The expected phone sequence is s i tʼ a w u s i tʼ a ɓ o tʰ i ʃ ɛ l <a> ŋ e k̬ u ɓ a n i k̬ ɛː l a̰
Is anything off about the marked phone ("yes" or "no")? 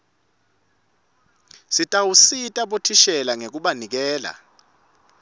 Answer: no